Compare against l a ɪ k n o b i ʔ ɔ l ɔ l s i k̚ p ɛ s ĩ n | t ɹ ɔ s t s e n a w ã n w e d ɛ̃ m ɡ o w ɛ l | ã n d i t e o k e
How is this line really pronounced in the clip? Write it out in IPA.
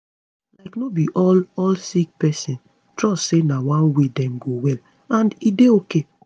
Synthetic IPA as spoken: l a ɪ k n o b i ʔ ɔ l ɔ l s i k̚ p ɛ s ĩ n | t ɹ ɔ s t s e n a w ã n w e d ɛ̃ m ɡ o w ɛ l | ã n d i d e o k e

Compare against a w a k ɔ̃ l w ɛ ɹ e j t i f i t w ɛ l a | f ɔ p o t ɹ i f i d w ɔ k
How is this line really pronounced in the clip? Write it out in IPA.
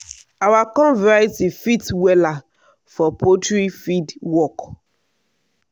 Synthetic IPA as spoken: a w a k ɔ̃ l v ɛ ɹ a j t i f i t w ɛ l a | f ɔ p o t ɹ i f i d w ɔ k

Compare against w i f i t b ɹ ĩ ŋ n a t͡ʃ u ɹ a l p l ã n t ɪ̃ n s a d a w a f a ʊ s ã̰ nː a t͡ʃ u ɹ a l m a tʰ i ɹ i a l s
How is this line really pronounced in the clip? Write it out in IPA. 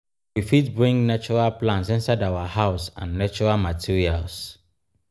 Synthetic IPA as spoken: w i f i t b ɹ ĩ ŋ n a t͡ʃ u ɹ a l p l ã n s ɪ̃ n s a d a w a h a ʊ s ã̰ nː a t͡ʃ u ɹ a l m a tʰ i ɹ i a l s

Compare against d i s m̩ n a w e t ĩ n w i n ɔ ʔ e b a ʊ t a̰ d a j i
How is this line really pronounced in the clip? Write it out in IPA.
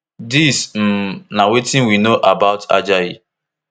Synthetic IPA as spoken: d i s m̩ n a w e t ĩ n w i n o ʔ a b a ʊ t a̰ d͡ʒ a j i

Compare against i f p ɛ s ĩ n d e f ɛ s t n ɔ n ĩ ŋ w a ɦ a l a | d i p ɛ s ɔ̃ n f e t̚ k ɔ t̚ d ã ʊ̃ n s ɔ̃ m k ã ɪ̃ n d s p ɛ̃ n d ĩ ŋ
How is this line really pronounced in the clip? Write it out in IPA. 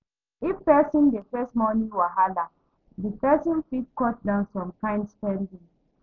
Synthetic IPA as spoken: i f p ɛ s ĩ n d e f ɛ s t m ɔ n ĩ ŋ w a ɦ a l a | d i p ɛ s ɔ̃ n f i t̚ k ɔ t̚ d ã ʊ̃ n s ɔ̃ m k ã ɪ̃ n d s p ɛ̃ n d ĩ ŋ

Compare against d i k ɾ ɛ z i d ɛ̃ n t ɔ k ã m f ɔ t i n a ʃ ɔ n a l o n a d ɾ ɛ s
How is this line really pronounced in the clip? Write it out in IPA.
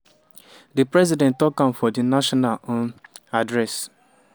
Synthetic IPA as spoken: d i p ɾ ɛ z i d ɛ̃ n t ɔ k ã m f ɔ d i n a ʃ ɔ n a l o n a d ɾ ɛ s

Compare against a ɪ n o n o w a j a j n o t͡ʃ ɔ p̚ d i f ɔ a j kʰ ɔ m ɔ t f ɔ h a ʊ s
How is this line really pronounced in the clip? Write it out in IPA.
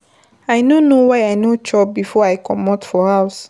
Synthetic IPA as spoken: a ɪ n o n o w a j a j n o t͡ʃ ɔ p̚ b i f ɔ a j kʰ ɔ m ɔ t f ɔ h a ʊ s

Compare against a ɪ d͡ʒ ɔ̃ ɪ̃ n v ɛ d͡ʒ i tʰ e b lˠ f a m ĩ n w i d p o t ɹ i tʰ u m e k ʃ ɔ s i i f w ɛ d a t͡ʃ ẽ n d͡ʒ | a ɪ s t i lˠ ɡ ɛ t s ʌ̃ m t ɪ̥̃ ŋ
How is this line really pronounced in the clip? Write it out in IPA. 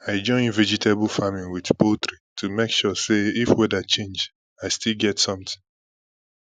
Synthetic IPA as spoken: a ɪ d͡ʒ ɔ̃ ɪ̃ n v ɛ d͡ʒ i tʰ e b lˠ f a m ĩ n w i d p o t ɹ i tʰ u m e k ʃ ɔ s e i f w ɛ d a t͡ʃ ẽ n d͡ʒ | a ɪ s t i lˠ ɡ ɛ t s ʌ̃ m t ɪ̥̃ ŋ

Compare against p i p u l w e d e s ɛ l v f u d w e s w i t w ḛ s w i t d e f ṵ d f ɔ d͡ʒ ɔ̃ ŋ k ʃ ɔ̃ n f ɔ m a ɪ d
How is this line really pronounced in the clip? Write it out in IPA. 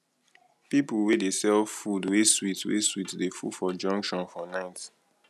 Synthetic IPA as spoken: p i p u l w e d e s ɛ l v f u d w e s w i t w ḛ s w i t d e f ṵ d f ɔ d͡ʒ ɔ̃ ŋ k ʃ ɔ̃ n f ɔ n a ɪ t

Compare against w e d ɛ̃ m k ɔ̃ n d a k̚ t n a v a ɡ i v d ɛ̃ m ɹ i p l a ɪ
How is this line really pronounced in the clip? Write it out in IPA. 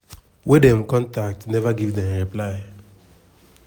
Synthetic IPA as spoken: w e d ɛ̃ m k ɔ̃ n t a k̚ t n ɛ v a ɡ i v d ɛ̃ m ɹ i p l a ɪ

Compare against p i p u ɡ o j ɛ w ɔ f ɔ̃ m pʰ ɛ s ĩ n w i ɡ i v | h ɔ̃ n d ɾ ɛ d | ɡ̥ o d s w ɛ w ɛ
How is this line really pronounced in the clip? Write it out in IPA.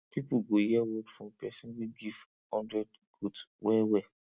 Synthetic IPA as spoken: p i p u ɡ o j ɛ w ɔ f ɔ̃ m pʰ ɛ s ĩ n w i ɡ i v | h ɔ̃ n d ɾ ɛ d | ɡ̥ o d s w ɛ w ɛ

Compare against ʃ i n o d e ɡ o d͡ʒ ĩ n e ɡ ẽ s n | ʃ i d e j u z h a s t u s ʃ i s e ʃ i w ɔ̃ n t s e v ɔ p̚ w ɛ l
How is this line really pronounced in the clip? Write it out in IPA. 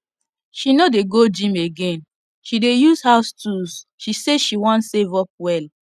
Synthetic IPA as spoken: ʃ i n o d e ɡ o d͡ʒ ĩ m e ɡ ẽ n | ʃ i d e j u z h a s t u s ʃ i s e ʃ i w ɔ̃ n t s e v ɔ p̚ w ɛ l

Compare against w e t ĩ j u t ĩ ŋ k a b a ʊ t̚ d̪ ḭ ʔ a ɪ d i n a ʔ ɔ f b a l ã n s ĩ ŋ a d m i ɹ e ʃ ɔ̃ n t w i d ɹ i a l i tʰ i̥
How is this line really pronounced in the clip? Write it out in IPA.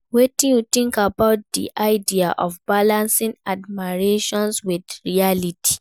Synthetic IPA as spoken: w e t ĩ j u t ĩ ŋ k a b a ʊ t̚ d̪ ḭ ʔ a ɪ d i a ʔ ɔ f b a l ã n s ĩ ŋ a d m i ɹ e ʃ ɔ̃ n s w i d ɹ i a l i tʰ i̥

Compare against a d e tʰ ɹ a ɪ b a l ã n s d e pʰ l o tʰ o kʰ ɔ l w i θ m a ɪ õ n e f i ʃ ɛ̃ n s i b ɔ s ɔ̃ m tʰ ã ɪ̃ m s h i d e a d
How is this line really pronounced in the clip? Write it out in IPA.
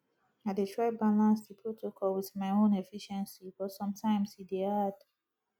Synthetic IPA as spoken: a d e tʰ ɹ a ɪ b a l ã n s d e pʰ ɹ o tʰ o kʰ ɔ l w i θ m a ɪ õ n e f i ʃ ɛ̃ n s i b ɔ s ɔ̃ m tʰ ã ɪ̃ m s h i d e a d

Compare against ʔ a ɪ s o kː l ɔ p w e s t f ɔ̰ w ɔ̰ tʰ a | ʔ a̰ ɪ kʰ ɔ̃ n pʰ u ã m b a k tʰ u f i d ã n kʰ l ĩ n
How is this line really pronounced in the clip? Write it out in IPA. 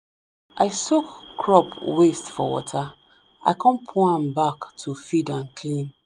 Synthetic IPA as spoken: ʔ a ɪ s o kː ɹ ɔ p w e s t f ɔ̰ w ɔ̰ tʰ a | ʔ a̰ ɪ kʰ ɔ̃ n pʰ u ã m b a k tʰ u f i d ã n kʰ l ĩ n

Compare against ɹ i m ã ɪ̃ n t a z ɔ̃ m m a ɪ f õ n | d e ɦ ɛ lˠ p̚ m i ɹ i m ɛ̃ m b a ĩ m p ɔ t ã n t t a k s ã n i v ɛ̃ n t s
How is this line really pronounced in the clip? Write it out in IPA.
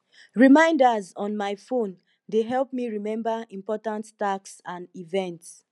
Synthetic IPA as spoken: ɹ i m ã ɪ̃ n d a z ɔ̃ n m a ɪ f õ n | d e ɦ ɛ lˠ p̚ m i ɹ i m ɛ̃ m b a ĩ m p ɔ t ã n t t a k s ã n i v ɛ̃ n t s

